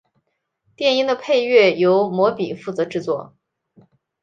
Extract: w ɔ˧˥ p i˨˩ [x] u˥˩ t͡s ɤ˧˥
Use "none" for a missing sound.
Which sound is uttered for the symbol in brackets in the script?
f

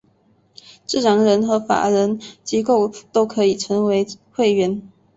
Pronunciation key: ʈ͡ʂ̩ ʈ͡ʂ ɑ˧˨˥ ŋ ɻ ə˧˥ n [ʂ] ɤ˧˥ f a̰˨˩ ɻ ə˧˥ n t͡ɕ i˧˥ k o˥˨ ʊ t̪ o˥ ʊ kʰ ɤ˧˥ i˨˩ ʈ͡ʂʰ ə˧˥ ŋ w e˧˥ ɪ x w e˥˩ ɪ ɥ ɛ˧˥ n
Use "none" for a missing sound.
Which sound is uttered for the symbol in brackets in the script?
x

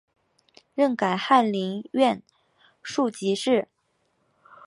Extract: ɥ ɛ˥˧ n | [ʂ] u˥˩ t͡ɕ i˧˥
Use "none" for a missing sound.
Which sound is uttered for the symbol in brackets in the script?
ʂ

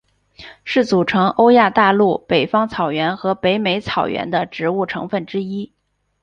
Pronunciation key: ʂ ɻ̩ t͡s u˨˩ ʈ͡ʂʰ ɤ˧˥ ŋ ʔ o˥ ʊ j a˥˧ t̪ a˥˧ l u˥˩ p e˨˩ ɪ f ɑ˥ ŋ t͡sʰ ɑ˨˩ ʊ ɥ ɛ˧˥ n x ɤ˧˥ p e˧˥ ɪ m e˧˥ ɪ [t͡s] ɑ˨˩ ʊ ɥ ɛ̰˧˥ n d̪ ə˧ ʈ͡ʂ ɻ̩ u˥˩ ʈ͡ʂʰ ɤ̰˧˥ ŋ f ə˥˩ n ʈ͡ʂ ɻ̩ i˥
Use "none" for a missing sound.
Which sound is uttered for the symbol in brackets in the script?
t͡sʰ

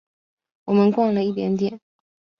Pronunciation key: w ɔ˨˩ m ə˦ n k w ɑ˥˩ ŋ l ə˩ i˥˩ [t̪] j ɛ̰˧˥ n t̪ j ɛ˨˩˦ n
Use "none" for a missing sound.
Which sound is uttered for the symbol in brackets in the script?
t̪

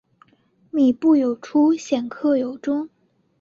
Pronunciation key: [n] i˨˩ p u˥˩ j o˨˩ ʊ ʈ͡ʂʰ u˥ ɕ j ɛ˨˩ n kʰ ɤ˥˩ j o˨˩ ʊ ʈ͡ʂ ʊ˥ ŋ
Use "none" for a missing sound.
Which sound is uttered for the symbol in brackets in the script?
m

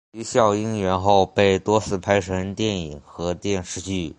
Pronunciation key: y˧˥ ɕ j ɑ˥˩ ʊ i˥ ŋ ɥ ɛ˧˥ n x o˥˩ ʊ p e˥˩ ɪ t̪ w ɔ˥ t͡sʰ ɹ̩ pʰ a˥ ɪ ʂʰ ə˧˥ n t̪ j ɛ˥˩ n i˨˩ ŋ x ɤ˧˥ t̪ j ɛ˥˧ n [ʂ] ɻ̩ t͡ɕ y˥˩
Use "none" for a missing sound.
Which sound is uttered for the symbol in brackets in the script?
ʂ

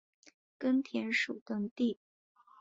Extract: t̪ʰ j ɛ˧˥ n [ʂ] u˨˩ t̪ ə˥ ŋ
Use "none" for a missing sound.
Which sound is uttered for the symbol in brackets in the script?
ʂ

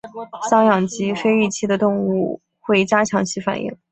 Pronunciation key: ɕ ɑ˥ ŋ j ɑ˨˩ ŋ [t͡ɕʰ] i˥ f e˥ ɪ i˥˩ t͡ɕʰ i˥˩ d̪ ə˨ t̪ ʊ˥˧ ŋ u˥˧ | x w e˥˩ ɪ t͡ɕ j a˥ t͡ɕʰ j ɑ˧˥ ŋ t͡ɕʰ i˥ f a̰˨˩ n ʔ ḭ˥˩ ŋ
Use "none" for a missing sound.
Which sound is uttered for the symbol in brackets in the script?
t͡ɕ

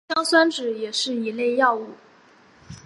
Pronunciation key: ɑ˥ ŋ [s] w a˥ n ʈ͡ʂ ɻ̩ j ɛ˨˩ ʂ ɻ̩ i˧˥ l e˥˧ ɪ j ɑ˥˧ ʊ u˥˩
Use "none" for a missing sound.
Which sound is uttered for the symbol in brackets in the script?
s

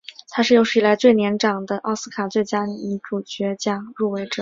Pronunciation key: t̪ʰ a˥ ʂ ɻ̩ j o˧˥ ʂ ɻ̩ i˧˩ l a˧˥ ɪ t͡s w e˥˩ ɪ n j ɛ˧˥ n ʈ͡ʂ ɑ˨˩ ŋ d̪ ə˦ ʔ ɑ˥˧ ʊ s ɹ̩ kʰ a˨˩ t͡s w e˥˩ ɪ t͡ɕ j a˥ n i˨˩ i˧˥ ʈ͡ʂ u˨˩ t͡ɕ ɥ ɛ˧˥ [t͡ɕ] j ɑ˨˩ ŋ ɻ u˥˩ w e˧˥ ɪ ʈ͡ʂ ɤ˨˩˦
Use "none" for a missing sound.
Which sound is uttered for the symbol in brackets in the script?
t͡ɕ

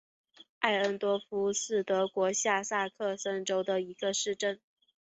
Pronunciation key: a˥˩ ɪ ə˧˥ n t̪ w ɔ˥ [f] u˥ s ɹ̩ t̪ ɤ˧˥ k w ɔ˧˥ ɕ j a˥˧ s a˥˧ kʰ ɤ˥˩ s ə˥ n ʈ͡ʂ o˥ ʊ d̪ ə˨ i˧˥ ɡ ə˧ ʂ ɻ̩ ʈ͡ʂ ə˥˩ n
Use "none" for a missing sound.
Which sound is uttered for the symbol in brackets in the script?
f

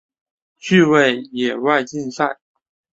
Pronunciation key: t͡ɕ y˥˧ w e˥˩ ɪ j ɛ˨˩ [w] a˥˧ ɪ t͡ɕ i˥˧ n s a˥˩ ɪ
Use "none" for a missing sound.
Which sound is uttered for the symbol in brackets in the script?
w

